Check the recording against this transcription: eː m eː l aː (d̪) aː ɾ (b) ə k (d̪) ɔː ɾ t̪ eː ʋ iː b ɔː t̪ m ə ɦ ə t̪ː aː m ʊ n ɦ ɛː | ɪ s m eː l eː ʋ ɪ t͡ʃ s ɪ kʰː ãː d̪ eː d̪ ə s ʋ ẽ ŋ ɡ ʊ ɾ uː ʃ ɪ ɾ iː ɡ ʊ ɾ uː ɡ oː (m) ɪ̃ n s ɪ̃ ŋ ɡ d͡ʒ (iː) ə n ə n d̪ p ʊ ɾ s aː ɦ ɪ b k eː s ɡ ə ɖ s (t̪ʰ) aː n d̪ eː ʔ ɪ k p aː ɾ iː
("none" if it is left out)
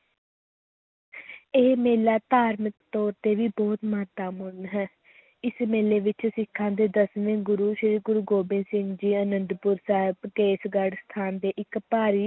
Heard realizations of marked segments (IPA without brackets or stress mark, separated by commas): t̪, m, t̪, b, iː, t̪ʰ